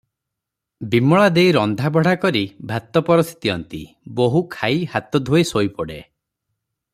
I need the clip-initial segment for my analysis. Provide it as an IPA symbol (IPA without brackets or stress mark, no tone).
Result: b